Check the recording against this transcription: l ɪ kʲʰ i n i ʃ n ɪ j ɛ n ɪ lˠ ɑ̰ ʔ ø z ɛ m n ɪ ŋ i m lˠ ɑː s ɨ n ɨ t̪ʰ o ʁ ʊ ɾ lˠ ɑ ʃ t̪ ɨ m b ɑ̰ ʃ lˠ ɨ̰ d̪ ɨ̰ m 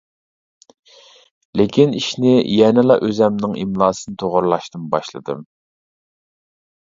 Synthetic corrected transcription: l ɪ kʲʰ i n i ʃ n ɪ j ɛ n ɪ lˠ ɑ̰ ʔ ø z ɛ m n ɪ ŋ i m lˠ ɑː s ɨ n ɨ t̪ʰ o ʁ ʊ ɾ lˠ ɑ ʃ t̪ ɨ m b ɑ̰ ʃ lˠ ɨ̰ d̪ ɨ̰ m

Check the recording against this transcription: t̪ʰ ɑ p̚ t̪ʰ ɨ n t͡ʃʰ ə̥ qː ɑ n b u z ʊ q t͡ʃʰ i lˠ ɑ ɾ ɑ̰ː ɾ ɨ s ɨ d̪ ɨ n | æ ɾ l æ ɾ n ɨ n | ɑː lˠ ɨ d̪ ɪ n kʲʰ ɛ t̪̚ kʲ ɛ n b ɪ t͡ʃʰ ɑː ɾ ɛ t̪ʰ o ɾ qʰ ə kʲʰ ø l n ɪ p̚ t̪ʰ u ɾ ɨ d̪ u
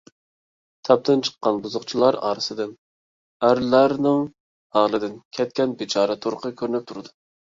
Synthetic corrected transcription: t̪ʰ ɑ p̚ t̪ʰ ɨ n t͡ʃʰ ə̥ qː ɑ n b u z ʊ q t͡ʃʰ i lˠ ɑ ɾ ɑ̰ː ɾ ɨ s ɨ d̪ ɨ n | æ ɾ l æ ɾ n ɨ ŋ | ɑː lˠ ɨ d̪ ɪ n kʲʰ ɛ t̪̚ kʲ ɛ n b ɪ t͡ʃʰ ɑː ɾ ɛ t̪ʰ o ɾ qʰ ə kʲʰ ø ɾ n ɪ p̚ t̪ʰ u ɾ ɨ d̪ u

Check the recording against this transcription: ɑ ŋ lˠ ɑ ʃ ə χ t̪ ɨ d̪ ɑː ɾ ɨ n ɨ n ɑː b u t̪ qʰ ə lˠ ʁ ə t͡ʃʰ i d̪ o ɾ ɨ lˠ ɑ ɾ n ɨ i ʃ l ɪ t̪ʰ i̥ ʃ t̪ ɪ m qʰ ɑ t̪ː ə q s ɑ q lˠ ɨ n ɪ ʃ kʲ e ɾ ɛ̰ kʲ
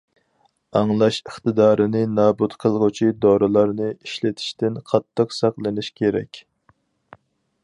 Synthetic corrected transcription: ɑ ŋ lˠ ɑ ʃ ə χ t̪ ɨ d̪ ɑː ɾ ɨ n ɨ n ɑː b u t̪ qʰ ə lˠ ʁ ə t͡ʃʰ i d̪ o ɾ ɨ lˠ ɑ ɾ n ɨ i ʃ l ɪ t̪ʰ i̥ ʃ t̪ ɪ n qʰ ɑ t̪ː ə q s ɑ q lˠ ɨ n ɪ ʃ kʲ e ɾ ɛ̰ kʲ

